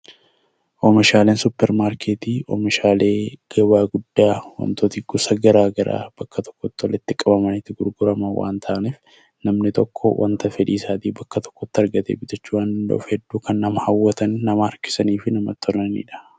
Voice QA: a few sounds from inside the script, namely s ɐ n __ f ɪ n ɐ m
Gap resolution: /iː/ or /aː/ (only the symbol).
iː